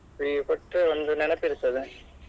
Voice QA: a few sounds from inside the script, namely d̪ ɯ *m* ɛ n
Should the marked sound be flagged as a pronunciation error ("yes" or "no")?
yes